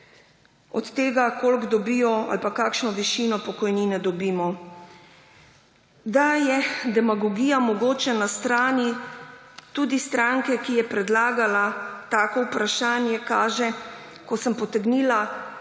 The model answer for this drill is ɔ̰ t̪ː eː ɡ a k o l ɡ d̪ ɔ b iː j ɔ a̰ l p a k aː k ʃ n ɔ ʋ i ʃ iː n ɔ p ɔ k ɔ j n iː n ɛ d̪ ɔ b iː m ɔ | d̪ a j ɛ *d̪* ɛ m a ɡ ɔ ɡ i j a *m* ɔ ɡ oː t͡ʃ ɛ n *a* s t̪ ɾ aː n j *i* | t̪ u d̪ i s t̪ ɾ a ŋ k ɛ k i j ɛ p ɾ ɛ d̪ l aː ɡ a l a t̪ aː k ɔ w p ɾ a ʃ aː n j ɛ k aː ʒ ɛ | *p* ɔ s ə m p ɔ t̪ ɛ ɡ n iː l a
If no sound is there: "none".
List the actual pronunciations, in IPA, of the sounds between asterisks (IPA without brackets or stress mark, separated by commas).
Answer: d̪, m, a, i, k